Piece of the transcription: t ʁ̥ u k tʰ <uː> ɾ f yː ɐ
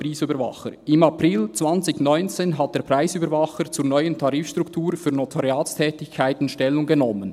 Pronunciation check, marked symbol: correct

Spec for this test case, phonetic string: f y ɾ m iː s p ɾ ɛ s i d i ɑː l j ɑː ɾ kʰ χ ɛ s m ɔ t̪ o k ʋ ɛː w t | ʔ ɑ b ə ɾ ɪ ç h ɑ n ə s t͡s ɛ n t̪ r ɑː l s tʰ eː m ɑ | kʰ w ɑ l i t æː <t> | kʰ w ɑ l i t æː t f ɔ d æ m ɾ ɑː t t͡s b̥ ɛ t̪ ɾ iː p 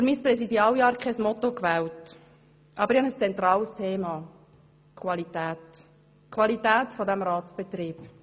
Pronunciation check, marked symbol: correct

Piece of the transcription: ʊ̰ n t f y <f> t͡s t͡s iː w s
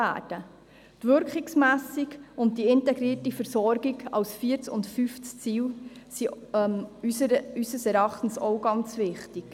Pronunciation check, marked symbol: correct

